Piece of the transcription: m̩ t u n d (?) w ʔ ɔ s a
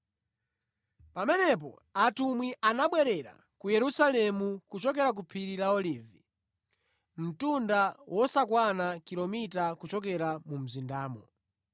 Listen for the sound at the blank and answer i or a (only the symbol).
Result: a